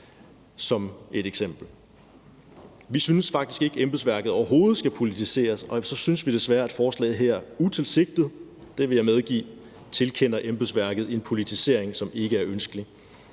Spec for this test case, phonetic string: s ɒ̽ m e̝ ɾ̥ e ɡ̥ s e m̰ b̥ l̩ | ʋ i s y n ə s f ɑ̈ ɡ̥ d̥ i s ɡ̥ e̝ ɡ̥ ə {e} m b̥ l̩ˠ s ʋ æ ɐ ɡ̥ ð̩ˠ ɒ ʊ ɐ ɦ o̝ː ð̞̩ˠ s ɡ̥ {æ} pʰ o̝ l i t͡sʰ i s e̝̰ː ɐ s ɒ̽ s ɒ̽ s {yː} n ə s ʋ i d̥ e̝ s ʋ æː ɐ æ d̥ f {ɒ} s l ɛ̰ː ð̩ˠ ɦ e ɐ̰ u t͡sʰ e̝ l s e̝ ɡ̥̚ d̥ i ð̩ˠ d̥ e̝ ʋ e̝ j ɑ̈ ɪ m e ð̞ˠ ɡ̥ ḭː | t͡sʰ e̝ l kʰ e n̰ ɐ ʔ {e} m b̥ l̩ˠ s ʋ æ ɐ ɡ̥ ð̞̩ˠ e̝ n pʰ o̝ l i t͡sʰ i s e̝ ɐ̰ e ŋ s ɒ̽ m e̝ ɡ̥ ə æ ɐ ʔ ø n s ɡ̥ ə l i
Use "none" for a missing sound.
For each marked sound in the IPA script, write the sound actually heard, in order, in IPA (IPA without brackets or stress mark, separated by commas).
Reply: e, æ, y, ɒː, e